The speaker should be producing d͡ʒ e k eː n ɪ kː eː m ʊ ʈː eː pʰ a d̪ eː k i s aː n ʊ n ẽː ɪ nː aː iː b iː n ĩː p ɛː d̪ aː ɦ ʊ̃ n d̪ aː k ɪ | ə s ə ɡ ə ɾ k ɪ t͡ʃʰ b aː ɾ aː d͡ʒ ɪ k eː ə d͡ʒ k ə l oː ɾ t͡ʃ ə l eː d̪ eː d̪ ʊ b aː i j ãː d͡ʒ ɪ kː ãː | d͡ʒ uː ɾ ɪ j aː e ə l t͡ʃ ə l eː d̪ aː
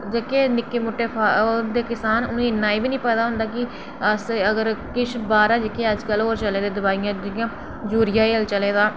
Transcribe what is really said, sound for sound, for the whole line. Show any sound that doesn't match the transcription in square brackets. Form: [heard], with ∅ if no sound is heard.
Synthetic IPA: d͡ʒ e k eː n ɪ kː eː m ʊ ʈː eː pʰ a d̪ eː k [ɪ] s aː n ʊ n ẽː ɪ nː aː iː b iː n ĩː p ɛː d̪ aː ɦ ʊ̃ n d̪ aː k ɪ | ə s ə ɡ ə ɾ k ɪ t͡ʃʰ b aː ɾ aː d͡ʒ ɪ k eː ə d͡ʒ k ə l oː ɾ t͡ʃ ə l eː d̪ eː d̪ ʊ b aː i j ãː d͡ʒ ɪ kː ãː | d͡ʒ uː ɾ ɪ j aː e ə l t͡ʃ ə l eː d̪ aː